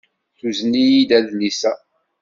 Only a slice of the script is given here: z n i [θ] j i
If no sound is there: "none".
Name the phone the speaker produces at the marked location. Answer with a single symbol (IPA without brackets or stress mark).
none